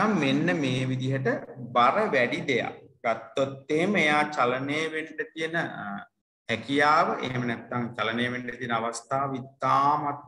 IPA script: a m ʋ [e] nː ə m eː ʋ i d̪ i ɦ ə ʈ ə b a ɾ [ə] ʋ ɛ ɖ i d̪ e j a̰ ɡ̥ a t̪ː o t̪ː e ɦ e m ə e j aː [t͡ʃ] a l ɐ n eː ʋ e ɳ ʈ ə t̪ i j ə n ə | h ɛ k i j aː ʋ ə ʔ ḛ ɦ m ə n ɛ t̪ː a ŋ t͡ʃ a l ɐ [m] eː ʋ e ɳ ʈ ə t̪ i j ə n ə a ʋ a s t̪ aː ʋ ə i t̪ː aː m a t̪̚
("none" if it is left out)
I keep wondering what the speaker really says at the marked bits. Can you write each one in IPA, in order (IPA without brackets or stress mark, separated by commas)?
e, ə, t͡ʃ, n